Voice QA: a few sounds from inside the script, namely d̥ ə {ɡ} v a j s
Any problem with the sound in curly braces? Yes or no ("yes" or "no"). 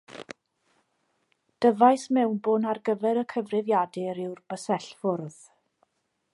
yes